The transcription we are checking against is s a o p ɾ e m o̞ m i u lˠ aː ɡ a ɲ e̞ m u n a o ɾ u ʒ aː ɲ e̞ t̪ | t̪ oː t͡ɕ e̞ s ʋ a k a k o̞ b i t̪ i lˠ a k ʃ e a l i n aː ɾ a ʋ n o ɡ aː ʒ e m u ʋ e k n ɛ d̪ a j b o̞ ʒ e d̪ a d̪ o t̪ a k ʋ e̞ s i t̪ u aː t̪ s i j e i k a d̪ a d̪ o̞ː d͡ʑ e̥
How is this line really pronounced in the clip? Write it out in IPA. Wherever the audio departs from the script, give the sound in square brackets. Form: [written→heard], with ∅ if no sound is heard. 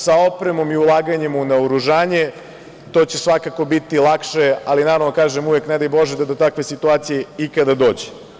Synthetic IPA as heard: s a o p ɾ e m o̞ m i u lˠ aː ɡ a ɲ e̞ m u n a o ɾ u ʒ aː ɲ e̞ [t̪→∅] | t̪ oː t͡ɕ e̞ s ʋ a k a k o̞ b i t̪ i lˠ a k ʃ e a l i n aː ɾ a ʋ n o [ɡ→k] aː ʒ e m u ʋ e k n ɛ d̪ a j b o̞ ʒ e d̪ a d̪ o t̪ a k ʋ e̞ s i t̪ u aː t̪ s i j e i k a d̪ a d̪ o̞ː d͡ʑ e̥